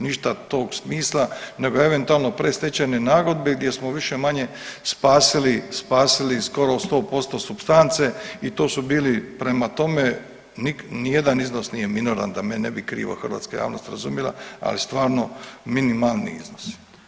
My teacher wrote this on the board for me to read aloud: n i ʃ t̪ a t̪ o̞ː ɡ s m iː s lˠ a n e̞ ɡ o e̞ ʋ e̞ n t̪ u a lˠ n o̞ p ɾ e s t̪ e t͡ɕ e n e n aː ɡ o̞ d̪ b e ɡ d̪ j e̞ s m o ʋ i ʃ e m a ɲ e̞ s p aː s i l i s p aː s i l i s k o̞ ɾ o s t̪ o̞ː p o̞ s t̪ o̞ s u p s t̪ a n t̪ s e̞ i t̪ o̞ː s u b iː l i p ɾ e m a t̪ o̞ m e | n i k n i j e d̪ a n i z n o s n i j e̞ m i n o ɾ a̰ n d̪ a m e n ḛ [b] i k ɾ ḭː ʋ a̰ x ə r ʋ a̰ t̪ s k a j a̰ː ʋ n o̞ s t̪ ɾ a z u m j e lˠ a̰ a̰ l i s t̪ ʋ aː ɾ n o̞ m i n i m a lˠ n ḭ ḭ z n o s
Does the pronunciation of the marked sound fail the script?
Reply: no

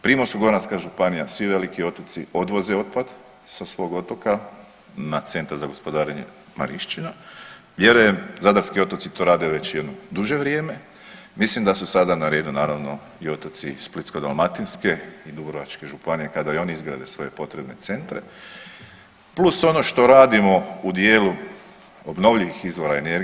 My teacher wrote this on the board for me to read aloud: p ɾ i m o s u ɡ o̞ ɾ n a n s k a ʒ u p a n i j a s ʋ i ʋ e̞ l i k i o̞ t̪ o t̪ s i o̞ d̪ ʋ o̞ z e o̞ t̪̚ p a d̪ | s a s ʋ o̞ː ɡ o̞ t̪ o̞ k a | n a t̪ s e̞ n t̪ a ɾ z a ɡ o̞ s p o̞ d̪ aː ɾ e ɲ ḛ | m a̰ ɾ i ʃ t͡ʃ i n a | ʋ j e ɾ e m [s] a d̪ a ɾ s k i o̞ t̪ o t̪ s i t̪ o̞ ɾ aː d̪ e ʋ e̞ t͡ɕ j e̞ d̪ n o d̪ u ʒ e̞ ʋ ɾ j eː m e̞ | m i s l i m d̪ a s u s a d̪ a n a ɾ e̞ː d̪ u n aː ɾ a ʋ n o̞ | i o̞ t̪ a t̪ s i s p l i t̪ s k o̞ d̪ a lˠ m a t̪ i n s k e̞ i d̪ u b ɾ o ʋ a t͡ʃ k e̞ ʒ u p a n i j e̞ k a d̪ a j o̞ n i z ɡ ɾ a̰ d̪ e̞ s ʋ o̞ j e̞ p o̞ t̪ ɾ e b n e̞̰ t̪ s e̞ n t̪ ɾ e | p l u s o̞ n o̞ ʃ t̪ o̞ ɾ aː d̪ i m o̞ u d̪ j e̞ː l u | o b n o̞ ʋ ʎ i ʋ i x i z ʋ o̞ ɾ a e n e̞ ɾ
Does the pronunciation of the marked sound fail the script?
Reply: yes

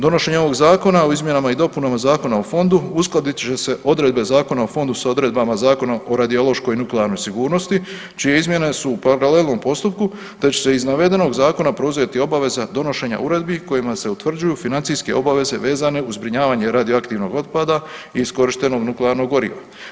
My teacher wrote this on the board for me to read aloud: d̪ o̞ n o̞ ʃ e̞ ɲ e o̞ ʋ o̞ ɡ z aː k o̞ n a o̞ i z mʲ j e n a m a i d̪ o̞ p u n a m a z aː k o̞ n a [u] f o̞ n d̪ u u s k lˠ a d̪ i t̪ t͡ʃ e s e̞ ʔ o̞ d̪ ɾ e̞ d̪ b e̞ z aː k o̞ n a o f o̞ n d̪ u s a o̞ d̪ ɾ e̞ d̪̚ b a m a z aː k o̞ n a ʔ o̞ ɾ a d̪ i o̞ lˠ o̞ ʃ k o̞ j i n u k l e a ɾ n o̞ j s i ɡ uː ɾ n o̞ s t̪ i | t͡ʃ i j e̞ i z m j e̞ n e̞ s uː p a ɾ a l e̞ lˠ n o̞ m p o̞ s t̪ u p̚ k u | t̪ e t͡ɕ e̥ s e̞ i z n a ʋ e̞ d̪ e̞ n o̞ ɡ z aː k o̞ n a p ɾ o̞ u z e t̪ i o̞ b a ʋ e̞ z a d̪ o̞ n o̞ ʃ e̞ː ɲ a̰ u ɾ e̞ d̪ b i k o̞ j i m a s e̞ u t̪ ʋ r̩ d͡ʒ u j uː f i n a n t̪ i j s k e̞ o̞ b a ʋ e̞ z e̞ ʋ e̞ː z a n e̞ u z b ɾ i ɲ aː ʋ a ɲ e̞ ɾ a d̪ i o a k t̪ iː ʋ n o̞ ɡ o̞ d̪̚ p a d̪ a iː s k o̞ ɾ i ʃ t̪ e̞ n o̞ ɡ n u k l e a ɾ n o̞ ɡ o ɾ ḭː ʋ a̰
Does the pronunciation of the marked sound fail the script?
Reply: yes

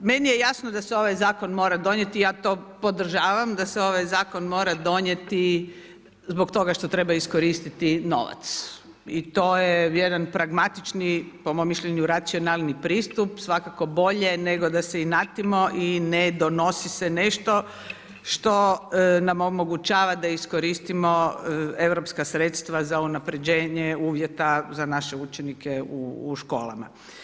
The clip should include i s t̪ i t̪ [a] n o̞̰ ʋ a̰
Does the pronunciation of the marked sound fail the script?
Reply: yes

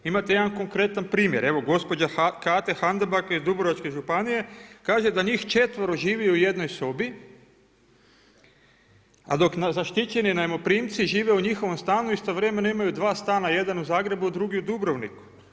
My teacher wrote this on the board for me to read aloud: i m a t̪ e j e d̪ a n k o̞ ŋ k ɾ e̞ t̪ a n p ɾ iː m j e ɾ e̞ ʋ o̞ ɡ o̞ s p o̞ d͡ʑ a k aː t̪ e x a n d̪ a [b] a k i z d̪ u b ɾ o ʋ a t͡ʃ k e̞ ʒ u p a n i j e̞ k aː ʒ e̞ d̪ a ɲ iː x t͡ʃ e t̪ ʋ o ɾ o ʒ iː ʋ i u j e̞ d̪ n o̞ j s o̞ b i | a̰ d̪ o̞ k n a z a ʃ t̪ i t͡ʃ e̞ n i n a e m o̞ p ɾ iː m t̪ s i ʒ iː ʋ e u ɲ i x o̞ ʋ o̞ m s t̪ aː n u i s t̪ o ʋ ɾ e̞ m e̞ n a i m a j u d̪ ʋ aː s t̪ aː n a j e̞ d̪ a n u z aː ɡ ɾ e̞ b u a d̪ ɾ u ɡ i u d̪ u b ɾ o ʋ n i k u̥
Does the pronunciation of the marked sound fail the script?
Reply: no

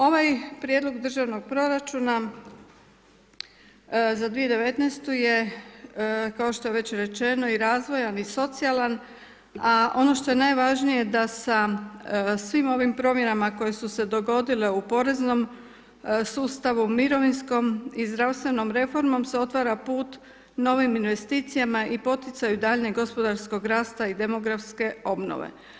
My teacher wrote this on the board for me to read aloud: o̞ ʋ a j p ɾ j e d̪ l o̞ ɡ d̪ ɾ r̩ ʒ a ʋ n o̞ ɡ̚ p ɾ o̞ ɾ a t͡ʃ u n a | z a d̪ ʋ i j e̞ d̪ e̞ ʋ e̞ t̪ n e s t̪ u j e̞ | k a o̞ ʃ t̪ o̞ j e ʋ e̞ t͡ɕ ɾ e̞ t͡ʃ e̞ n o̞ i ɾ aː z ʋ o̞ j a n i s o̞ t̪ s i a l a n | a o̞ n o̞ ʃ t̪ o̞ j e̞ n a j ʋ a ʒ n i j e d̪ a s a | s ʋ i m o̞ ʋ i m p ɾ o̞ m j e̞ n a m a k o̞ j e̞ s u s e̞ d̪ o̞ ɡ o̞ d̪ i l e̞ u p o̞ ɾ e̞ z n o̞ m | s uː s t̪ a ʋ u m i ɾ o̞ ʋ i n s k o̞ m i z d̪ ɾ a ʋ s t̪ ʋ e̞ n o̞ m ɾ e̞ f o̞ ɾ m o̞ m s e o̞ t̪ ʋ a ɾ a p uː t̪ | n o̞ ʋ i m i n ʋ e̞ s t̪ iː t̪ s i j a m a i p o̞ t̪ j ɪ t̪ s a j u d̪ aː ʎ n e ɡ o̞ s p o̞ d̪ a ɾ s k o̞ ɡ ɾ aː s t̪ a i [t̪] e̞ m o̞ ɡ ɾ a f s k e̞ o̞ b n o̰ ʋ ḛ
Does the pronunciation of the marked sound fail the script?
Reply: yes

